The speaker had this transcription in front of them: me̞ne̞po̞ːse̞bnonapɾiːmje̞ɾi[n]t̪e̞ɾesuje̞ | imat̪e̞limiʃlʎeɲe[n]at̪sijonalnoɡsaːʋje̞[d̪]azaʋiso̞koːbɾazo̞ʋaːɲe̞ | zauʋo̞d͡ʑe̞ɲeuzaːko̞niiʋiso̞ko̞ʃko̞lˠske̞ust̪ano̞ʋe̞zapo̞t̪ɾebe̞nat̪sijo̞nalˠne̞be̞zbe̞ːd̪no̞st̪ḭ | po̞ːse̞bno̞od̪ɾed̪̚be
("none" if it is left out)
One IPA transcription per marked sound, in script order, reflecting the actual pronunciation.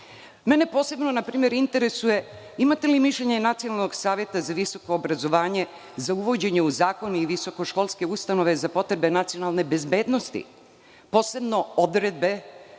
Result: n, n, t̪

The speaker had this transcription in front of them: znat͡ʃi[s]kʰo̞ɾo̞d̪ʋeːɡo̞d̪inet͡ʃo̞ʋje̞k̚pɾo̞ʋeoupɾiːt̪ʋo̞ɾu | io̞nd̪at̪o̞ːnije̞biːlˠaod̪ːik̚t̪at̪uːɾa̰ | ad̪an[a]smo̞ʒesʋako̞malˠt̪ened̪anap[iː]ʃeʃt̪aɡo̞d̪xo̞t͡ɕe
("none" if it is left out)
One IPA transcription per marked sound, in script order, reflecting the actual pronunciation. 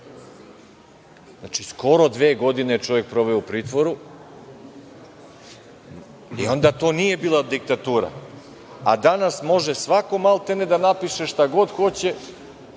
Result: s, a, i

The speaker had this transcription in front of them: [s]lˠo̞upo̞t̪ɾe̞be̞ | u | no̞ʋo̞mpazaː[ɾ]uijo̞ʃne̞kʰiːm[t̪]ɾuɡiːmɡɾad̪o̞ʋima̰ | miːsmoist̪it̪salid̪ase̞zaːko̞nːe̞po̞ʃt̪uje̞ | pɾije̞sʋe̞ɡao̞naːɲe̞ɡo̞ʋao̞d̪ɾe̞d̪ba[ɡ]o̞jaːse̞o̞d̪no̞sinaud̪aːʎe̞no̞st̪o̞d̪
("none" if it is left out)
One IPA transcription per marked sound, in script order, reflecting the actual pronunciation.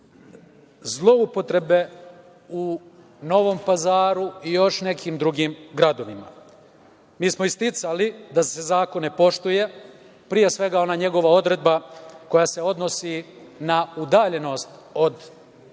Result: z, ɾ, d̪, k

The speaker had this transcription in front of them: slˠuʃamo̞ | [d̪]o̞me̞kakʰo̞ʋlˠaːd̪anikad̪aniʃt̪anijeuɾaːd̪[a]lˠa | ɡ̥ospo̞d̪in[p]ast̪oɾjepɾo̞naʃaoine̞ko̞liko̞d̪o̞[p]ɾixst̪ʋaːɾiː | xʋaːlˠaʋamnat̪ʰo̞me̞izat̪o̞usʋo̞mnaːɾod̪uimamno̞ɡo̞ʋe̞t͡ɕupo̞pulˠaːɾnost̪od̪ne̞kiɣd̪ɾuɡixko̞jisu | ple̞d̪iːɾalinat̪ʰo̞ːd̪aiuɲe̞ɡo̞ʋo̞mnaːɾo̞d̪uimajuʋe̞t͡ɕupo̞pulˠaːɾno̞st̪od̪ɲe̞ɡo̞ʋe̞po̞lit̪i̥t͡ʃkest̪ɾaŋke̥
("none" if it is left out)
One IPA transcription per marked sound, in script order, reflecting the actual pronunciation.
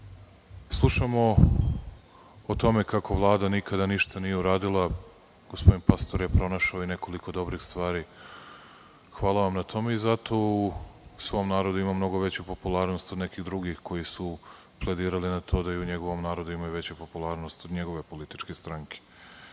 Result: t̪, i, p, b

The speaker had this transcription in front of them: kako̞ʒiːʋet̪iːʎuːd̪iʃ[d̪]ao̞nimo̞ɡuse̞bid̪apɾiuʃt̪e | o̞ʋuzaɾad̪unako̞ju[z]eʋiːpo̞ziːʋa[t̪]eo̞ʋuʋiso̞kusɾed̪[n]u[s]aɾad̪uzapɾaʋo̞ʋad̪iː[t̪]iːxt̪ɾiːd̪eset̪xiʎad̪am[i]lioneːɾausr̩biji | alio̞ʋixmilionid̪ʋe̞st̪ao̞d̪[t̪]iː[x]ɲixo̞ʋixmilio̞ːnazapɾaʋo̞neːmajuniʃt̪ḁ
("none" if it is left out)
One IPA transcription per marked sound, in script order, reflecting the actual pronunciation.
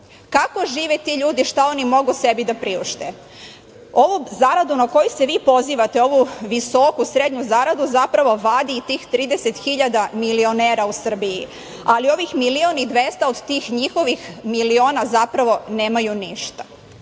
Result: t̪, s, t̪, ɲ, z, t̪, i, t̪, x

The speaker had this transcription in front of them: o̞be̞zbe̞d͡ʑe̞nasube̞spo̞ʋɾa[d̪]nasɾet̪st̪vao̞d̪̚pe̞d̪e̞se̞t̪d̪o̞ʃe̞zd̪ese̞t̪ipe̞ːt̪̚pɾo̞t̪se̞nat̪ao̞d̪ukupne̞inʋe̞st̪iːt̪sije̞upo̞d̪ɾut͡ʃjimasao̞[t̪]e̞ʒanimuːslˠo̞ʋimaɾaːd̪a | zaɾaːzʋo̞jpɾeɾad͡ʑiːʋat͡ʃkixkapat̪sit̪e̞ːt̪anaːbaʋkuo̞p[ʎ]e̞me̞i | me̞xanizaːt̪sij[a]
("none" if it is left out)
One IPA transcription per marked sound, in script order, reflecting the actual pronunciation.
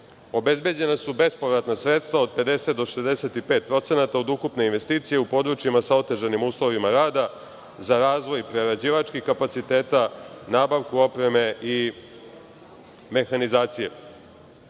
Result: t̪, t̪, ɾ, e

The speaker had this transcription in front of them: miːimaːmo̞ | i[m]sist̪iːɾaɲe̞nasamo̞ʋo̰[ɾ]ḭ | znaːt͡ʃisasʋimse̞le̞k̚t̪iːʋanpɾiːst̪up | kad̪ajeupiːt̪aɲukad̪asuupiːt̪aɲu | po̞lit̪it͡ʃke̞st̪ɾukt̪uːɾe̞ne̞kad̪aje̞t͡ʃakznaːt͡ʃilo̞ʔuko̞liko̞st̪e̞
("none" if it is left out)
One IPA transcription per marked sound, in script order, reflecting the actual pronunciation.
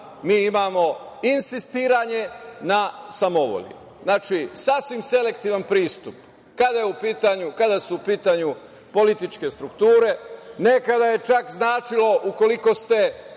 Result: n, ʎ

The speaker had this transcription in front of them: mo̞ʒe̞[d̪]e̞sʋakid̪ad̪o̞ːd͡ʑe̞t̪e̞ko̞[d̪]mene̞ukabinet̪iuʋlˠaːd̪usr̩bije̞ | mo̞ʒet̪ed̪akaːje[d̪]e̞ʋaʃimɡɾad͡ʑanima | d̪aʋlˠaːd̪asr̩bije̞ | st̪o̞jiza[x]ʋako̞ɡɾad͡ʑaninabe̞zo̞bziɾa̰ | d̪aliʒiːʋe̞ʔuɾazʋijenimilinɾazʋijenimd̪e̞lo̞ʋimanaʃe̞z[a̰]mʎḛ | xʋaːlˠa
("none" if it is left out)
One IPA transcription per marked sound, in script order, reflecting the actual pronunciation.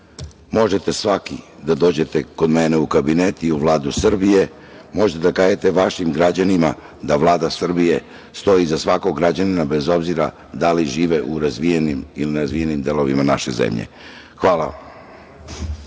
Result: t̪, d̪, t̪, s, ḛ

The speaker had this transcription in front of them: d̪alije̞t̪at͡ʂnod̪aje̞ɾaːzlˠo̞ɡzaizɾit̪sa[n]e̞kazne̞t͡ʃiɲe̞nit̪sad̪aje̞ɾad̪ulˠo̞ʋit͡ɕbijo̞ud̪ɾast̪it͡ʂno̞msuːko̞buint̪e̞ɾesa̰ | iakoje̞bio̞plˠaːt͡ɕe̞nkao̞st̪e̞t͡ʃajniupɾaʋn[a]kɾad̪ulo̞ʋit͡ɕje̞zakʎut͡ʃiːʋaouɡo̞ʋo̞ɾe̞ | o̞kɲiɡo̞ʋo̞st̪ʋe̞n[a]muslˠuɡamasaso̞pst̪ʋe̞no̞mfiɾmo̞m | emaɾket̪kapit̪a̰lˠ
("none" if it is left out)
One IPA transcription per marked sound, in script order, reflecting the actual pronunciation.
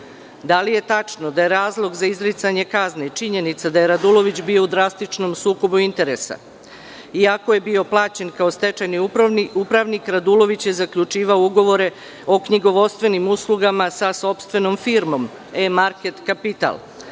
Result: ɲ, i, i

